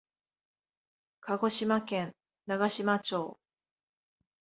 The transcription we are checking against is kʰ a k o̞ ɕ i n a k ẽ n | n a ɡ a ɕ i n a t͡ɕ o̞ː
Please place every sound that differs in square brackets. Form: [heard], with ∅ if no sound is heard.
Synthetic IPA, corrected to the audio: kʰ a [ɡ] o̞ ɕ i [m] a k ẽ n | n a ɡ a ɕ i [m] a t͡ɕ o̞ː